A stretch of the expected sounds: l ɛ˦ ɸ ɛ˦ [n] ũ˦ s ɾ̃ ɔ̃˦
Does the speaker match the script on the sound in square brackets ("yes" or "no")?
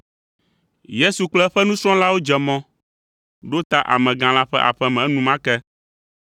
yes